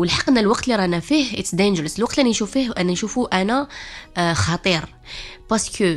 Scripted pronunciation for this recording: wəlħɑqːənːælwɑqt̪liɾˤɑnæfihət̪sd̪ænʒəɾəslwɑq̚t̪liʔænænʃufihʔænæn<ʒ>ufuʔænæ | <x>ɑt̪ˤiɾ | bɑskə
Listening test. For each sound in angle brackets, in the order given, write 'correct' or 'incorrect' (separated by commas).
incorrect, correct